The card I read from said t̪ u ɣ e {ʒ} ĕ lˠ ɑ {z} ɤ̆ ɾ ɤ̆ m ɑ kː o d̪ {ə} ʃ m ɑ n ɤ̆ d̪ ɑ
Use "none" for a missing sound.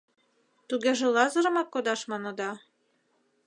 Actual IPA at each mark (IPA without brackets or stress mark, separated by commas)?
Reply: ʒ, z, ɑ